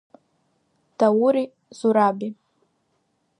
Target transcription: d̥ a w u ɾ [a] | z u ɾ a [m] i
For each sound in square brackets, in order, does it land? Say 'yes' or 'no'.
no, no

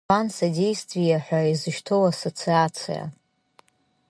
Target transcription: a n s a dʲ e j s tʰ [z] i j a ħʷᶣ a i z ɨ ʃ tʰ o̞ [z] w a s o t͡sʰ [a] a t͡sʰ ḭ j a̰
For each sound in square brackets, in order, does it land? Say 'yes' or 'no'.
no, no, no

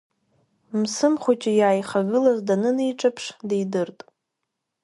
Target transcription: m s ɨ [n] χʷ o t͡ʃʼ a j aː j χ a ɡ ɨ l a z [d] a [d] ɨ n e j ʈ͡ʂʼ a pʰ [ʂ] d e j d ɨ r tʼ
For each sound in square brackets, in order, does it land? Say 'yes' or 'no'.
no, yes, no, yes

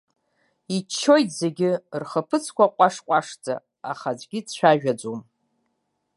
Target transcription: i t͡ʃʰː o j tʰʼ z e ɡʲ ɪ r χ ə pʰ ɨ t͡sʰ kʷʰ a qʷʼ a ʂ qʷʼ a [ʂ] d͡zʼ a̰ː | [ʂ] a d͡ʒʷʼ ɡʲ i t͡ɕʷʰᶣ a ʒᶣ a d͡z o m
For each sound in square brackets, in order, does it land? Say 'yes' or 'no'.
yes, no

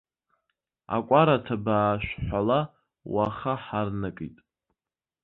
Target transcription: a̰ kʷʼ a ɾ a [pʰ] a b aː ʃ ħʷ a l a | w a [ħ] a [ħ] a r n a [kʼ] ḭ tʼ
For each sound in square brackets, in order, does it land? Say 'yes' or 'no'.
no, no, yes, yes

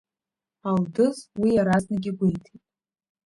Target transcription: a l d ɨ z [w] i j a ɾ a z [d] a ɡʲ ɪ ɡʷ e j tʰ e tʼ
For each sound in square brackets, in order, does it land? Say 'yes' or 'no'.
yes, no

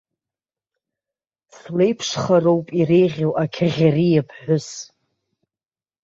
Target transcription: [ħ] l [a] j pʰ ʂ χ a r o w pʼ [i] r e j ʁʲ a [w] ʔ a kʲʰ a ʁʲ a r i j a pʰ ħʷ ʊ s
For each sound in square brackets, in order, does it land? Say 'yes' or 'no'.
no, no, yes, yes

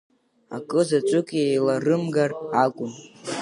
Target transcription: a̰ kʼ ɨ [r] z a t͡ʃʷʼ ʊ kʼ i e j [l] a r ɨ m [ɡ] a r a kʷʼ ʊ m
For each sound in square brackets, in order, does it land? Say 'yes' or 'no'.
no, yes, yes

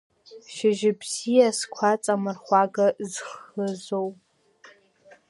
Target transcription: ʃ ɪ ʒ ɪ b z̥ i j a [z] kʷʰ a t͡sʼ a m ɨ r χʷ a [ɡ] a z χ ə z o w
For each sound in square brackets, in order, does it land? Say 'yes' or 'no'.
no, yes

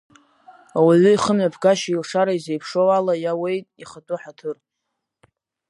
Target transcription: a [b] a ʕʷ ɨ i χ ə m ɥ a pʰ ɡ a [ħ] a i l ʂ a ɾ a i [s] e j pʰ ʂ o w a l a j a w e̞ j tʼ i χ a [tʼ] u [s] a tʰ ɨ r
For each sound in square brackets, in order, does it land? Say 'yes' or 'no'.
no, no, no, yes, no

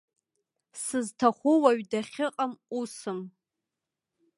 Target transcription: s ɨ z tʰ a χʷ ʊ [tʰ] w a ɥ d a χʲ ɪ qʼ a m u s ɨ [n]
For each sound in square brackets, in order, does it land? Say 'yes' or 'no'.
no, no

